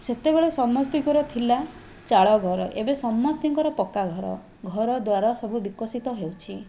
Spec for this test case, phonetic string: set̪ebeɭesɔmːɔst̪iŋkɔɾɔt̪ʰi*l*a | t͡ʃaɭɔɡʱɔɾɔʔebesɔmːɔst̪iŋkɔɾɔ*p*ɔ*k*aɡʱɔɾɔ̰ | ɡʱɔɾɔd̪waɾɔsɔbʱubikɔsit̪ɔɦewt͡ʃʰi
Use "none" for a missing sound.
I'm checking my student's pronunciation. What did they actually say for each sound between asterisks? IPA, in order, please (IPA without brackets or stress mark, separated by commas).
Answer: l, p, k